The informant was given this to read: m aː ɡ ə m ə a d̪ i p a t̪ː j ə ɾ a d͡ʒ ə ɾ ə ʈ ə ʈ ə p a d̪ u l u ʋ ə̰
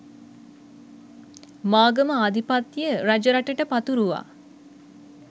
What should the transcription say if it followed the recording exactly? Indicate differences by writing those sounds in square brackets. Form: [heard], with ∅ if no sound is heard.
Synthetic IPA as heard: m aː ɡ ə m ə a d̪ i p a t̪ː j ə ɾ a d͡ʒ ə ɾ [a] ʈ ə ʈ ə p a [t̪] u [ɾ] u ʋ [a̰]

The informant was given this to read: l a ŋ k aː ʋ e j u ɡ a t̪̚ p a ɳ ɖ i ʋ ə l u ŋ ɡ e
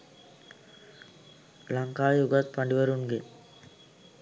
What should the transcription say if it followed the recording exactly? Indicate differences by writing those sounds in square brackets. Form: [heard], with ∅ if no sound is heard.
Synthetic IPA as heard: l a ŋ k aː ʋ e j u ɡ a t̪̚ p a ɳ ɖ i ʋ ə [ɾ] u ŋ ɡ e

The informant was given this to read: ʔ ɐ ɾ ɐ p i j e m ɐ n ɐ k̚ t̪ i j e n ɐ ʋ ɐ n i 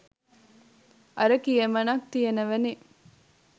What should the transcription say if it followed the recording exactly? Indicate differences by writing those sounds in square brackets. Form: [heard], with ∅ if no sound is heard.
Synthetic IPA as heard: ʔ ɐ ɾ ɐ [k] i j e m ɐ n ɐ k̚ t̪ i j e n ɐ ʋ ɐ n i

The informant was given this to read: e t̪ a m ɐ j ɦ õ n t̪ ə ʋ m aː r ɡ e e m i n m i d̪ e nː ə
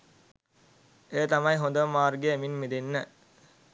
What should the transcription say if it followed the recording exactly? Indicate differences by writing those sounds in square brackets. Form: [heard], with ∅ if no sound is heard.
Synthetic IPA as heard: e t̪ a m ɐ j ɦ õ n [d̪] ə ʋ m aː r ɡ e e m i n m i d̪ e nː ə

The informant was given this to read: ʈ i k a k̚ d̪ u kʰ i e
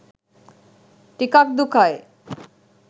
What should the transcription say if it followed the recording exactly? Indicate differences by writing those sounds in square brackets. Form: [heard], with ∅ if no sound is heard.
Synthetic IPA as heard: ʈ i k a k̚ d̪ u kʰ [a] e

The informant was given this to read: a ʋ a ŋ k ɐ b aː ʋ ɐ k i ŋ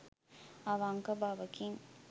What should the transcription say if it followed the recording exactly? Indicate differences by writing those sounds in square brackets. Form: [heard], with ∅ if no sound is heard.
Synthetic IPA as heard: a ʋ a ŋ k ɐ b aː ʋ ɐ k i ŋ

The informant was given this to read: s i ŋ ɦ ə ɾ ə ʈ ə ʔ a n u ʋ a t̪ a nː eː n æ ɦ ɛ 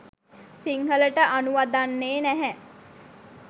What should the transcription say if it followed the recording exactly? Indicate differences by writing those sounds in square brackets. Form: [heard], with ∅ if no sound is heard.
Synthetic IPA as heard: s i ŋ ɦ ə [l] ə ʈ ə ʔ a n u ʋ a [d̪] a nː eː n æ ɦ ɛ

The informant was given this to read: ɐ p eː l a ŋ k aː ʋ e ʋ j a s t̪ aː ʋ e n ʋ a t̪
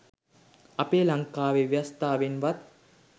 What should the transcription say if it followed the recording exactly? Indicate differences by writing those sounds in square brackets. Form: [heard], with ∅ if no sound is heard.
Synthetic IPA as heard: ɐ p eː l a ŋ k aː ʋ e ʋ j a s t̪ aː ʋ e n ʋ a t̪

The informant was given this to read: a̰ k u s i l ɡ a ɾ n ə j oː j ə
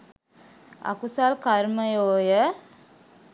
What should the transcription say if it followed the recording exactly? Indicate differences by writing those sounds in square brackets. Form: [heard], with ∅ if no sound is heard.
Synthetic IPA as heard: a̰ k u s [a] l [k] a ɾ [m] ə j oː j ə

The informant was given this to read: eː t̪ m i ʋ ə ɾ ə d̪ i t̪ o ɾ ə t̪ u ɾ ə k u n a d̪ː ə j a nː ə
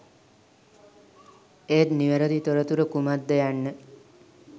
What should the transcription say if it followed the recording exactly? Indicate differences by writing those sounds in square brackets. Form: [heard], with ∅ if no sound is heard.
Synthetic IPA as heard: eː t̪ [n] i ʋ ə ɾ ə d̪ i t̪ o ɾ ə t̪ u ɾ ə k u [m] a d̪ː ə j a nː ə

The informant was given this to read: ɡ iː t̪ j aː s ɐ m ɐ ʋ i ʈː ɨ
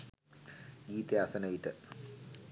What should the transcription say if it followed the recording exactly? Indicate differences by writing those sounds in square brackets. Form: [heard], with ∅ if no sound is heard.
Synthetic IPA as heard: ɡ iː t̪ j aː s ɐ [n] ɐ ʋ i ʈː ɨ

